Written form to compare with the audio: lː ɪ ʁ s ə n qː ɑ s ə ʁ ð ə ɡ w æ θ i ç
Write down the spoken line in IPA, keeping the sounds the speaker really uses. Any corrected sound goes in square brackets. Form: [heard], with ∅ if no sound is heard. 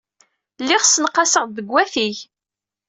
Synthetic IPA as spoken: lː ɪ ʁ s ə n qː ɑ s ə ʁ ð ə ɡ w æ θ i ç